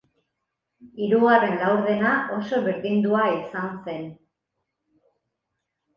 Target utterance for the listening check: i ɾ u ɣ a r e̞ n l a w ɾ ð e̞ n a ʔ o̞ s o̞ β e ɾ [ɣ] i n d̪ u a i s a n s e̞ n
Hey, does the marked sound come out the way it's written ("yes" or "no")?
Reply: no